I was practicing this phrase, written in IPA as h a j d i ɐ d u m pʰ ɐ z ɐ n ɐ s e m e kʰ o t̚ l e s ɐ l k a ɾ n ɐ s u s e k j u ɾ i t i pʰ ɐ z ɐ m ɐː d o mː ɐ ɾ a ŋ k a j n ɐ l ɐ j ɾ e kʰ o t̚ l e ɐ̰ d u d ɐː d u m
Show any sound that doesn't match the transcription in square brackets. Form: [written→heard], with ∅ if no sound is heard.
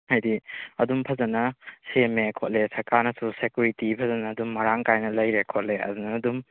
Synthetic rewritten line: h a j d i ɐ d u m pʰ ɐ z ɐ n ɐ s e m e kʰ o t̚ l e s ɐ [l→ɾ] k a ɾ n ɐ s u s e k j u ɾ i t i pʰ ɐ z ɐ [m→n] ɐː d [o→u] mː ɐ ɾ a ŋ k a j n ɐ l ɐ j ɾ e kʰ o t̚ l e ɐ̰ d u [d→n] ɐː d u m

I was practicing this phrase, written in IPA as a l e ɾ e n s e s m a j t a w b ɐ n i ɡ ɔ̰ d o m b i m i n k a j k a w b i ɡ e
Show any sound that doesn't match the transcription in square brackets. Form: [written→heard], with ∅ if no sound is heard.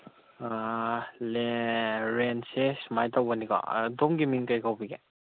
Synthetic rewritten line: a l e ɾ e n s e s m a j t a w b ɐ n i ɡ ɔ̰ d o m [b→ɡ] i m i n k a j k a w b i ɡ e

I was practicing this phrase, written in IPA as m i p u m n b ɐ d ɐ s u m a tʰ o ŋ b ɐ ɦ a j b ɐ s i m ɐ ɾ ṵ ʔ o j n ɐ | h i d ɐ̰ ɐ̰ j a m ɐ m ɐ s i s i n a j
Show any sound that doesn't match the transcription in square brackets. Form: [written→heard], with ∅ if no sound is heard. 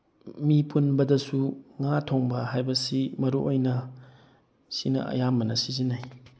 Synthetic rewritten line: m i p u [m→∅] n b ɐ d ɐ s u [m→ŋ] a tʰ o ŋ b ɐ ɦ a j b ɐ s i m ɐ ɾ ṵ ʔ o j n ɐ | [h→s] i [d→n] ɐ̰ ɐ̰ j a m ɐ [m→n] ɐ s i [s→z] i n a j

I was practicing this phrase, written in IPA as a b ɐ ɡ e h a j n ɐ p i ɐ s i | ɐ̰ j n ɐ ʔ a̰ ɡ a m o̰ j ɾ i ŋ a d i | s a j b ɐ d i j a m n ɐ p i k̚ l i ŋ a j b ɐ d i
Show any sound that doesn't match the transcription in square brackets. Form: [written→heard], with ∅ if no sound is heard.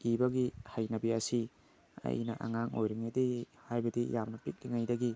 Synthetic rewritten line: [a→i] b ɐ ɡ [e→i] h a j n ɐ [p→b] i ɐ s i | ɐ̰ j n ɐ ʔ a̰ [ɡ→ŋ] a [m→ŋ] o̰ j ɾ i ŋ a d i | [s→h] a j b ɐ d i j a m n ɐ p i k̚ l i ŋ a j [b→d] ɐ [d→ɡ] i

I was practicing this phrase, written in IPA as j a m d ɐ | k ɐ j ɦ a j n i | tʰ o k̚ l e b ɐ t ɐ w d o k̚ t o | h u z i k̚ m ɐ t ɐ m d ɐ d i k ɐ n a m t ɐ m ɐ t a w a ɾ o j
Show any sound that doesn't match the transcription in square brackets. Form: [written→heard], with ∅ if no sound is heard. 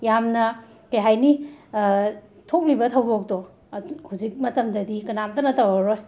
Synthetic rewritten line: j a m [d→n] ɐ | k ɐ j ɦ a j n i | tʰ o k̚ l [e→i] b ɐ [t→tʰ] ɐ w d o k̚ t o | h u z i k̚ m ɐ t ɐ m d ɐ d i k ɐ n a m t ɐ [m→n] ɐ t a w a ɾ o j

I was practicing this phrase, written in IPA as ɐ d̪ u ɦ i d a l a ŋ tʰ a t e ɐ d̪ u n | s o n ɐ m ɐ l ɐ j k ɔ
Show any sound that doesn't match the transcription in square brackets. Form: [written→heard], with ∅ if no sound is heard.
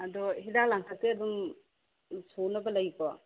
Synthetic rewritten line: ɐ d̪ [u→ɔ] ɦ i d a l a ŋ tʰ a t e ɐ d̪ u [n→m] | s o n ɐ [m→b] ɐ l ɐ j k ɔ

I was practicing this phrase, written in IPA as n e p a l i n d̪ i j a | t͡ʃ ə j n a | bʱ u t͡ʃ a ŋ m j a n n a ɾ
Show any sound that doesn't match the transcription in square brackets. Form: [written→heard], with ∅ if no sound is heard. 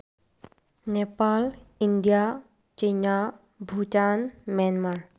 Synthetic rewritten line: n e p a l i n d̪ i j a | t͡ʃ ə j n a | bʱ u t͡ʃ a [ŋ→n] m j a n [n→m] a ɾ

